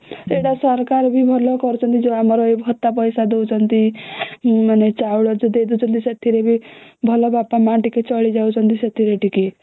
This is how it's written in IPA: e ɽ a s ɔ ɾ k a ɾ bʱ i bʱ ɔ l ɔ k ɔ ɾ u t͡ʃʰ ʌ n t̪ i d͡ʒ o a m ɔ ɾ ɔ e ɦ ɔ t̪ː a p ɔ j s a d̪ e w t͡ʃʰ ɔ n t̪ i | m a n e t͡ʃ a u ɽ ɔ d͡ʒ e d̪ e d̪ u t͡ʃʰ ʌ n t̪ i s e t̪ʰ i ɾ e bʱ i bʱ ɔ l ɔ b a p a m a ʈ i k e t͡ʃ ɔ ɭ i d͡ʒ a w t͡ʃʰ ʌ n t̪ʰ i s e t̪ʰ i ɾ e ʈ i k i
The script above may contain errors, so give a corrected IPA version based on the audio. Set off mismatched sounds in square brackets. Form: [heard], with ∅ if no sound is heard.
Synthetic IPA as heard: e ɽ a s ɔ ɾ k a ɾ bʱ i bʱ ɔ l ɔ k ɔ ɾ u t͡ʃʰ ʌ n t̪ i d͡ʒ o a m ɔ ɾ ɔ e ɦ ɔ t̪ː a p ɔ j s a d̪ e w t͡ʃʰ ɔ n t̪ i | m a n e t͡ʃ a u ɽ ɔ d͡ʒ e d̪ e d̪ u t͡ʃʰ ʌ n t̪ i s e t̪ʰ i ɾ e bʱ i bʱ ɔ l ɔ b a p a m a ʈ i k e t͡ʃ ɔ ɭ i d͡ʒ a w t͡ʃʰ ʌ n [t̪] i s e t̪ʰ i ɾ e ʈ i k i